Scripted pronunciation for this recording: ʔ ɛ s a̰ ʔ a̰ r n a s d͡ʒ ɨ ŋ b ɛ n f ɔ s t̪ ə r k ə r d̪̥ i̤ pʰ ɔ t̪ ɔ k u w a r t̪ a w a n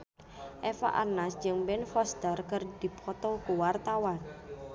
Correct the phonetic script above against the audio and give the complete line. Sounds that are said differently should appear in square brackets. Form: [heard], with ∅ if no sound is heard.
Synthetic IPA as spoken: ʔ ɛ [f] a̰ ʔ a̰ r n a s d͡ʒ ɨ ŋ b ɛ n f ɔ s t̪ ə r k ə r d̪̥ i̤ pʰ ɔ t̪ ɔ k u w a r t̪ a w a n